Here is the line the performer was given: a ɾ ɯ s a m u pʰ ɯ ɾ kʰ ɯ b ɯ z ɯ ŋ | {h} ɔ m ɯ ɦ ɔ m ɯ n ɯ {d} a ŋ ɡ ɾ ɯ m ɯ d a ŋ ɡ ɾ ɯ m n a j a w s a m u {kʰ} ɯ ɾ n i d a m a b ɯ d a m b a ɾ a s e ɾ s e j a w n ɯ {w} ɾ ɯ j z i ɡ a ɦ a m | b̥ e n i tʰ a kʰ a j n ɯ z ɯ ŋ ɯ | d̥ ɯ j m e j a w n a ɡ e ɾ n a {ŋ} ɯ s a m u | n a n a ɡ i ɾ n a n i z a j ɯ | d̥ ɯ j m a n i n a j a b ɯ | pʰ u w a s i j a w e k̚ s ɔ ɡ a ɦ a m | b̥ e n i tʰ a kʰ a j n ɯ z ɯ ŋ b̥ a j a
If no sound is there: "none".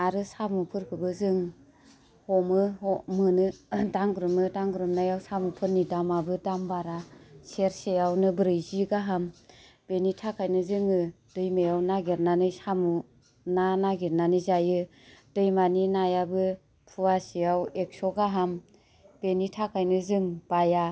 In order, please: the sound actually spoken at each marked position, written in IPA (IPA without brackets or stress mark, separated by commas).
h, d, pʰ, b, n